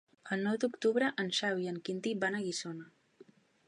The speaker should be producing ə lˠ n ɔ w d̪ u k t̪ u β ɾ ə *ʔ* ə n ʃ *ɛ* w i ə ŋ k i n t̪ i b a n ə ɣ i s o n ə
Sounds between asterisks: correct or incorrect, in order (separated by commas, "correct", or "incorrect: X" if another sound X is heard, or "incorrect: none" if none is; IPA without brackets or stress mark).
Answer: correct, incorrect: a